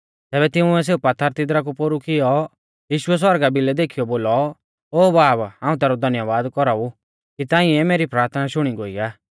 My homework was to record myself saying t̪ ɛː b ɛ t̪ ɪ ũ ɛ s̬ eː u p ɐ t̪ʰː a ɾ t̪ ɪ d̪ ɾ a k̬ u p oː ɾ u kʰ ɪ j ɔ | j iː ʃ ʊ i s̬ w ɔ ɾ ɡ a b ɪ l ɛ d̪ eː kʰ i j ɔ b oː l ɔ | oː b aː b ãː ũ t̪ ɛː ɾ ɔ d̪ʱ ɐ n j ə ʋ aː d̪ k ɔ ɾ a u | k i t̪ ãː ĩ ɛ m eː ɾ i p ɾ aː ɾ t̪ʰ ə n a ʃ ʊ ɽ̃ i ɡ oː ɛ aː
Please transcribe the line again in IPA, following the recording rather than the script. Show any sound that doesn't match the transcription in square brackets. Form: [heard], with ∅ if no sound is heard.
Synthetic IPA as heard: t̪ ɛː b ɛ t̪ ɪ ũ ɛ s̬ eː u p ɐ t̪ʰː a ɾ t̪ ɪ d̪ ɾ a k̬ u p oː ɾ u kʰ ɪ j ɔ | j iː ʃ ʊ [ɛ] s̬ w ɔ ɾ ɡ a b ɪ l ɛ d̪ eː kʰ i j ɔ b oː l ɔ | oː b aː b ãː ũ t̪ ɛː ɾ ɔ d̪ʱ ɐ n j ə ʋ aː d̪ k ɔ ɾ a u | k i t̪ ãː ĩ ɛ m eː ɾ i p ɾ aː ɾ t̪ʰ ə n a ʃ ʊ ɽ̃ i ɡ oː [i] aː